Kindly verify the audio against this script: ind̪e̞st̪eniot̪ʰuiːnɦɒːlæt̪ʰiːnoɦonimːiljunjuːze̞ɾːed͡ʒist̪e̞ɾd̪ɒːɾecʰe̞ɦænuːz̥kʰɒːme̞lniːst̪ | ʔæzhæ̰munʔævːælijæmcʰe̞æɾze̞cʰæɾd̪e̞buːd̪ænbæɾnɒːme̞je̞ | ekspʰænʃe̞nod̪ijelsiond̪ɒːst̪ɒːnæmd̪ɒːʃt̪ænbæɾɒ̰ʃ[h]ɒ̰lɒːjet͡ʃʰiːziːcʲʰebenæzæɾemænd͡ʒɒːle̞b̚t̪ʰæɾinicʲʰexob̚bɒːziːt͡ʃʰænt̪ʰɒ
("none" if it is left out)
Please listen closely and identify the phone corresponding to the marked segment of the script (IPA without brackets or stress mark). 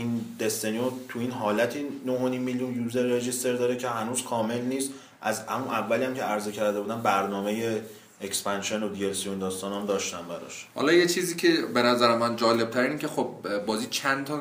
h